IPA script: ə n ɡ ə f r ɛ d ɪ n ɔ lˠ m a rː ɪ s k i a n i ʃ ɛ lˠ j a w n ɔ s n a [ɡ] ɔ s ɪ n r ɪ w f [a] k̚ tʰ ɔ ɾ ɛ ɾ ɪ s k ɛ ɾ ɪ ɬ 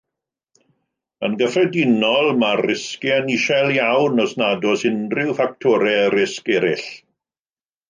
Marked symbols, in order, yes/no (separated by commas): no, yes